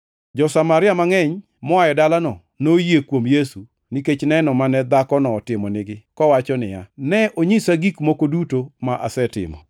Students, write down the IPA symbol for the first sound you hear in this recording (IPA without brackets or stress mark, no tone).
d͡ʒ